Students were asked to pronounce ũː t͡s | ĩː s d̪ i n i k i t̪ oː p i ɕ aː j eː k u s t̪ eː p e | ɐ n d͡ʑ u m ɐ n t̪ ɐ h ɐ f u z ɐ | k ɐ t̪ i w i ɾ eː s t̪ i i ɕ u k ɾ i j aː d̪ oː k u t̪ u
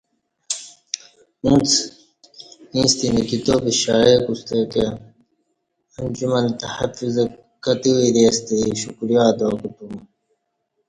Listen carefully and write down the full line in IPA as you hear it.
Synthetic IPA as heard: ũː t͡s | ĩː s t̪ i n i k i t̪ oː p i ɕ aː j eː k u s t̪ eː k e | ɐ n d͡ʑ u m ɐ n t̪ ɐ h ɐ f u z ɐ | k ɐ t̪ i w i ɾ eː s t̪ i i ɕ u k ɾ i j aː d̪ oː k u t̪ u